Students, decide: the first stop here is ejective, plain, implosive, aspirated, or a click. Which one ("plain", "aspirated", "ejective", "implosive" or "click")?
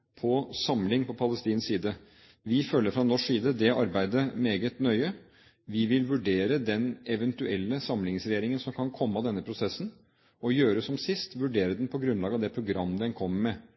aspirated